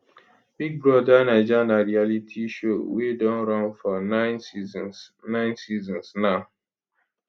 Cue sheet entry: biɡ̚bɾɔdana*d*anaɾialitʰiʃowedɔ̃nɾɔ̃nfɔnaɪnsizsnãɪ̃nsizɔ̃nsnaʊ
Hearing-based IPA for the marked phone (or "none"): d͡ʒ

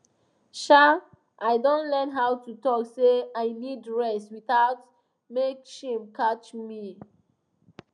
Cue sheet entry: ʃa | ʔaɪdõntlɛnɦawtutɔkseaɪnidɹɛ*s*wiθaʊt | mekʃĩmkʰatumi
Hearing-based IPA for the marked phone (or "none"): s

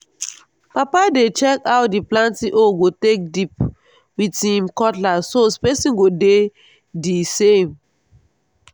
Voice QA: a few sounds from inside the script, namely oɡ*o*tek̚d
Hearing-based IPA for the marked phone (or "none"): o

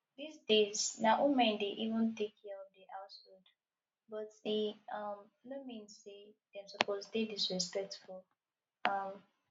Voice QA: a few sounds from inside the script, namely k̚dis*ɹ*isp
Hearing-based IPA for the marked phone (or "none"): ɹ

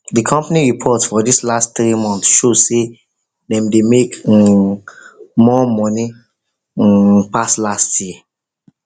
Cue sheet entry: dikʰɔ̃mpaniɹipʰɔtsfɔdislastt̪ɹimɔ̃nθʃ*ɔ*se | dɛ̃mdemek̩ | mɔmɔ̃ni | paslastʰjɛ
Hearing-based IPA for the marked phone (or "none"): o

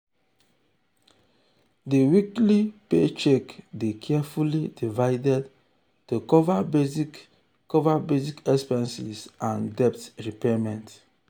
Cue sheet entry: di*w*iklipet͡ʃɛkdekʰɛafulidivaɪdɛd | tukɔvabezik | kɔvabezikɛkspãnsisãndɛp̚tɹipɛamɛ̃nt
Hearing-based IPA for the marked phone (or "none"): w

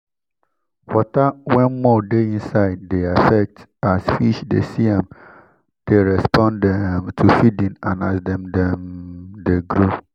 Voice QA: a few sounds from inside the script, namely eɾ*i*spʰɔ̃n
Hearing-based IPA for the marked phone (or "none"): ɛ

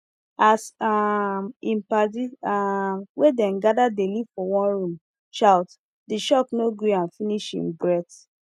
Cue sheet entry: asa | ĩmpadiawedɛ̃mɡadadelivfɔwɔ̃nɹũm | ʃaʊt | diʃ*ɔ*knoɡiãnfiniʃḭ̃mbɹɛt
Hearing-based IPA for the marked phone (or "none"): ɔ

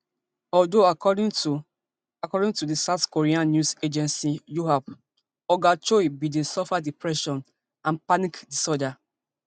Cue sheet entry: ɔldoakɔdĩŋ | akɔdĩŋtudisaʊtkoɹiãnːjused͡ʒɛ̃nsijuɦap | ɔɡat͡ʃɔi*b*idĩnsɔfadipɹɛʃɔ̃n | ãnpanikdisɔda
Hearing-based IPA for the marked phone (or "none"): b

